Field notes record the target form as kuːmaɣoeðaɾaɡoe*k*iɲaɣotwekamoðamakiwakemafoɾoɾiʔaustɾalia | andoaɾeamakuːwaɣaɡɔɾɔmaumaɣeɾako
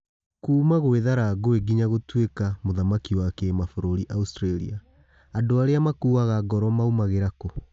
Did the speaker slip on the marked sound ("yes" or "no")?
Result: yes